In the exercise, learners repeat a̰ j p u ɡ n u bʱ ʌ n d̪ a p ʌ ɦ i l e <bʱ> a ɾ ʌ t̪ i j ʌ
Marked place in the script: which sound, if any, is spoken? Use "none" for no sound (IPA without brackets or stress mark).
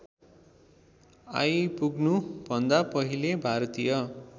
bʱ